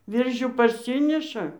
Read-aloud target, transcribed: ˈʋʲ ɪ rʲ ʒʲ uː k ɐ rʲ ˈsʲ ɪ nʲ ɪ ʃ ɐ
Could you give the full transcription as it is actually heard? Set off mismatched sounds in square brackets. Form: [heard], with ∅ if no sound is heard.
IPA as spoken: ˈʋʲ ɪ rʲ ʒʲ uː [p] ɐ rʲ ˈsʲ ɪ nʲ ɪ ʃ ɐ